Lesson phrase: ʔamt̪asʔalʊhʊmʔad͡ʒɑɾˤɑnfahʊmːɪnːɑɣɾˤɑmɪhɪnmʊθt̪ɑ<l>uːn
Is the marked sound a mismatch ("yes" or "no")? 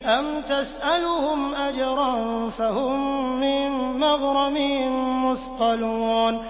no